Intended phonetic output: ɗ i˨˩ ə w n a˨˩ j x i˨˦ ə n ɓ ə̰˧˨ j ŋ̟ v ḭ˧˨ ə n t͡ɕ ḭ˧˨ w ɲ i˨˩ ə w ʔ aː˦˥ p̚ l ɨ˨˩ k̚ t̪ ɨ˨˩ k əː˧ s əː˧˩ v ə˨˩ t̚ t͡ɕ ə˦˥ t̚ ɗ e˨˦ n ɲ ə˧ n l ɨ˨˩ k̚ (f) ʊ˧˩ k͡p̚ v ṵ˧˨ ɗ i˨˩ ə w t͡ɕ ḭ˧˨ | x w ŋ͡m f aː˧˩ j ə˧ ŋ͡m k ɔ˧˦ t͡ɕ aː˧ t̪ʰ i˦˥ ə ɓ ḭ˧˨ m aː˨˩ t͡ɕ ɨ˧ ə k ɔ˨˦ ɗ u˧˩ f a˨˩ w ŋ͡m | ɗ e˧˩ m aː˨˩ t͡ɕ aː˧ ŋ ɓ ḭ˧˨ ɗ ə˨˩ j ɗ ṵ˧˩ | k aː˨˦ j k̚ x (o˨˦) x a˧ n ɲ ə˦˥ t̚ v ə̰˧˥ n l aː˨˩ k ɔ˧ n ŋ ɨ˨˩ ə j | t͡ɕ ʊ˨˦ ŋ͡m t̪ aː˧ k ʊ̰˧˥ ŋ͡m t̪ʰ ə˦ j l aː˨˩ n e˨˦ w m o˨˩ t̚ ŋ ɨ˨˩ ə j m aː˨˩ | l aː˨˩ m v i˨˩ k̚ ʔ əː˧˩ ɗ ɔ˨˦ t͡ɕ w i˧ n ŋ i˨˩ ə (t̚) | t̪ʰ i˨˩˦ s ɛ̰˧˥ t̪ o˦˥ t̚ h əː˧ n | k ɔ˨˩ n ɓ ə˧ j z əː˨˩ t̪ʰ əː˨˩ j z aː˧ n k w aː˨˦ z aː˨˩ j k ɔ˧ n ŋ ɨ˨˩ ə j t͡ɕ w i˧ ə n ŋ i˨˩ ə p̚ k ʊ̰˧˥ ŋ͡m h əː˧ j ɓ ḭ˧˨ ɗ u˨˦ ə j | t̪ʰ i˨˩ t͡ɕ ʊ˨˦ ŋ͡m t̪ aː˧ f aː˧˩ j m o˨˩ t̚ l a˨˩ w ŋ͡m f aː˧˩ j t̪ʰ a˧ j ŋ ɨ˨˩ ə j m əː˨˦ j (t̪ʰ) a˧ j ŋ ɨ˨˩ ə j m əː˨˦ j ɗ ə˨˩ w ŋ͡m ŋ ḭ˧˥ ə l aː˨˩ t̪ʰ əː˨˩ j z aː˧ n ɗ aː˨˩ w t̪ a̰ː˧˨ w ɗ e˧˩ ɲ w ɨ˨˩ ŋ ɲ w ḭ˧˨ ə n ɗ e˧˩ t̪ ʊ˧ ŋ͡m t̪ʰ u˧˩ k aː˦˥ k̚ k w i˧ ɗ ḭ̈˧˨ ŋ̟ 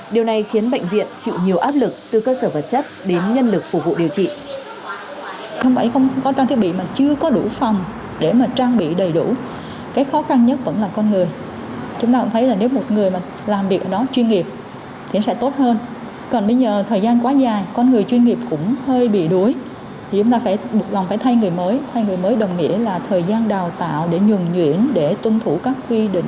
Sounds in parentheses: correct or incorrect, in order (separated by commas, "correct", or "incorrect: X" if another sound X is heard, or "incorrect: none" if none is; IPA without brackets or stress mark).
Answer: correct, incorrect: ɔ˨˦, incorrect: p̚, correct